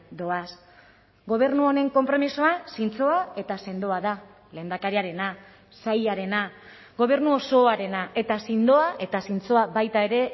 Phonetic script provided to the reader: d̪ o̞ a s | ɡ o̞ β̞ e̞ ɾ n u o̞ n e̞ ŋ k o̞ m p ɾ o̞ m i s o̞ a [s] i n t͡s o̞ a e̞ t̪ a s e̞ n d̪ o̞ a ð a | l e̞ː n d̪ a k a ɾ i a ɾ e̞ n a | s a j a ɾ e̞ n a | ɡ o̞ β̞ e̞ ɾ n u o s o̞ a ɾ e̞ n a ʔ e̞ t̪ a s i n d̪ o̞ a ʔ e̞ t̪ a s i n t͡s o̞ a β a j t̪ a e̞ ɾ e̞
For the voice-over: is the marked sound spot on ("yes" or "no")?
yes